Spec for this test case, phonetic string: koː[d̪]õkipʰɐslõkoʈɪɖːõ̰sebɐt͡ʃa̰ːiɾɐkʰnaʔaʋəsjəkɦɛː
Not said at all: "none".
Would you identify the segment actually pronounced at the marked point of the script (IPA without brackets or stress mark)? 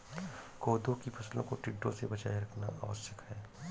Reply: d̪